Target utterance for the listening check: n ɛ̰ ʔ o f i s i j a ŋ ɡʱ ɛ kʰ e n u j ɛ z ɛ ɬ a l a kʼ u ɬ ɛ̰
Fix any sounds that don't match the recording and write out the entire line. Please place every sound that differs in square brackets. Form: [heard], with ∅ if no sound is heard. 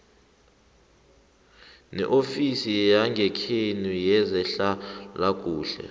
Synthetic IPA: n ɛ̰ ʔ o f i s i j a ŋ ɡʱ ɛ kʰ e n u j ɛ z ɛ ɬ a l a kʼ [uː] ɬ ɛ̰